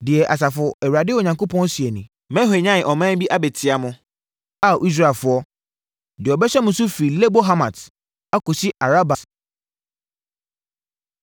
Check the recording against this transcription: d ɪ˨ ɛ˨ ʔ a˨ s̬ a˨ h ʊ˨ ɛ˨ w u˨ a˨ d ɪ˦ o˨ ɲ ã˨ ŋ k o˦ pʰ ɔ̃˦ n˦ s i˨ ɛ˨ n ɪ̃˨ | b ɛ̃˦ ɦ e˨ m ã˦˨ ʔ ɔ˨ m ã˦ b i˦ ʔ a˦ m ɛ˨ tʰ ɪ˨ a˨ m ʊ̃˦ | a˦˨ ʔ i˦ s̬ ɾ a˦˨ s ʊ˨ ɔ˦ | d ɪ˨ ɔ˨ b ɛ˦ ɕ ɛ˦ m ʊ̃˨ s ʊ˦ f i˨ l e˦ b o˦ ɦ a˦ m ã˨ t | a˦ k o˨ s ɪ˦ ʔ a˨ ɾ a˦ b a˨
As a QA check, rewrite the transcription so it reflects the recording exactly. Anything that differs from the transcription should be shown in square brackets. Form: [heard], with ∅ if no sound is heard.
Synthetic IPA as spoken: d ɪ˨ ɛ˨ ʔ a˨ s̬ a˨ [f] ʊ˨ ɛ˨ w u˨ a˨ d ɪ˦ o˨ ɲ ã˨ ŋ k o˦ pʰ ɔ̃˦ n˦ s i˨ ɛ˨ n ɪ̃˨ | [m] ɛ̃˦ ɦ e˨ [ɲ] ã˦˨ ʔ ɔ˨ m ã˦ b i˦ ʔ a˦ [b] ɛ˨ tʰ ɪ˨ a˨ m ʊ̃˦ | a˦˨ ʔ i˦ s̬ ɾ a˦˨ [f] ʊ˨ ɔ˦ | d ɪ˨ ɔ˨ b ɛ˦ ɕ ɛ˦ m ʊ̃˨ s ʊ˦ f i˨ l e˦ b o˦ ɦ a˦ m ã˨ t | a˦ k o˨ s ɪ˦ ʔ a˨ ɾ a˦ b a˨

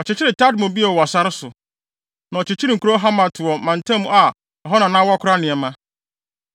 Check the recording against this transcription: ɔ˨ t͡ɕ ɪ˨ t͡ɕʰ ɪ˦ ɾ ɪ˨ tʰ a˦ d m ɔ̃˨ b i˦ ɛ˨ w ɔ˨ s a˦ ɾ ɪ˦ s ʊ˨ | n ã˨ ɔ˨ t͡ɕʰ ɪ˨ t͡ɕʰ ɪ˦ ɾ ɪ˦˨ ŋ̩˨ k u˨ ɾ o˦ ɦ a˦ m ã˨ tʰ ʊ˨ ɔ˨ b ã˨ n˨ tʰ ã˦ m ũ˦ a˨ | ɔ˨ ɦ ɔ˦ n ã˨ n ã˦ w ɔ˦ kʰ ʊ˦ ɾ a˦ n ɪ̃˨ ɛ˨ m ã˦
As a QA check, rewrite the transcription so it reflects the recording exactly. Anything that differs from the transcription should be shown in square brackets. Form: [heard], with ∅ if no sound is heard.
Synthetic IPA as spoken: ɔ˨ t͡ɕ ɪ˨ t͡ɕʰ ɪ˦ ɾ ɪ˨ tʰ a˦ d m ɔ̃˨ b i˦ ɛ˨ w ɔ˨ s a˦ ɾ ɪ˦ s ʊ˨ | n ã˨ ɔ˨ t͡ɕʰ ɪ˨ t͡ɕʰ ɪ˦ ɾ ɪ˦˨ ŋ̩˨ k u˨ ɾ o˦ ɦ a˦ m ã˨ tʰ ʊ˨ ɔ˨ [m] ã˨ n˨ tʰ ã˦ m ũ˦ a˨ | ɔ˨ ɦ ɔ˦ n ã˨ n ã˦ w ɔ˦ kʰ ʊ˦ ɾ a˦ n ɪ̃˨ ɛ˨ m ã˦

